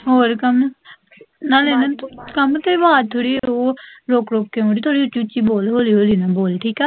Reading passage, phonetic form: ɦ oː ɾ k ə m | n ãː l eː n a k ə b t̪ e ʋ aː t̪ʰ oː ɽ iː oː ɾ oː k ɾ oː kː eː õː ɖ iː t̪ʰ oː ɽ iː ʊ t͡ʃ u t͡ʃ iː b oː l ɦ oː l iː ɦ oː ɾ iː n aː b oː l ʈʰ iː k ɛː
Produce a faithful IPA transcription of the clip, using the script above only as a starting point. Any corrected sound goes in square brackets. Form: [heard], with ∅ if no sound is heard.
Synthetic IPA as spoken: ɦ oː ɾ k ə m | n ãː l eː n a k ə [m] t̪ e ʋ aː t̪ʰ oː ɽ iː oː ɾ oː k ɾ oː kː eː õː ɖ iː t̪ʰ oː ɽ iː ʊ t͡ʃ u t͡ʃ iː b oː l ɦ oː l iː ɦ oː [l] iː n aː b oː l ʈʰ iː k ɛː